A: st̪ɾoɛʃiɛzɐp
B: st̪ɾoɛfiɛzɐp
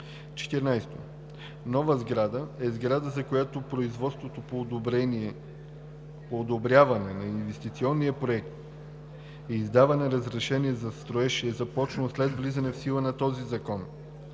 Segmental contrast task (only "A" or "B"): A